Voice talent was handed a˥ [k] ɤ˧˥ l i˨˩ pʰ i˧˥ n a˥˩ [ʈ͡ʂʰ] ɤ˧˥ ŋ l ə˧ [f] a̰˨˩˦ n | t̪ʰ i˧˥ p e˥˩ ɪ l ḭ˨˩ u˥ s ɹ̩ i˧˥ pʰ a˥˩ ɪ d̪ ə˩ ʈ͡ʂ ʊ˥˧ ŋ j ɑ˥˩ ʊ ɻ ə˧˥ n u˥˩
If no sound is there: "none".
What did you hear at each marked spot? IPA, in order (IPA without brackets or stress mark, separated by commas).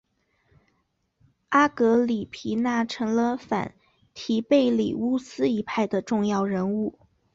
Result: k, ʈ͡ʂʰ, f